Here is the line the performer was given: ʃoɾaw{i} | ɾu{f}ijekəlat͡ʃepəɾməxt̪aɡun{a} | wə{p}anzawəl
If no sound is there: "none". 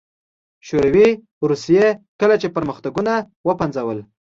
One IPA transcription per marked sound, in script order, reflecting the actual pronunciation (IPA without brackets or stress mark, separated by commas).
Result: i, s, a, p